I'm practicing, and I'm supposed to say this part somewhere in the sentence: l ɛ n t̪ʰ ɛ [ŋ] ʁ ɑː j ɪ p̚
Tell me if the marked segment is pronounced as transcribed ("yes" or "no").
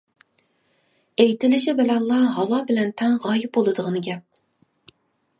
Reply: yes